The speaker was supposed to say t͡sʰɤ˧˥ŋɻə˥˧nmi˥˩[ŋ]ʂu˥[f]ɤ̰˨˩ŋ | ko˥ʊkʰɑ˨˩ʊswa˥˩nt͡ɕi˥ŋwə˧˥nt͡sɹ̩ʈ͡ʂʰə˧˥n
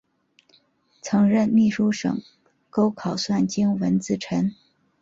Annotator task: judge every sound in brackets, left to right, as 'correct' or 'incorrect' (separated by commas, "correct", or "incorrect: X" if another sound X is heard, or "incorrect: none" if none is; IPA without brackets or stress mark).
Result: incorrect: none, incorrect: ʂ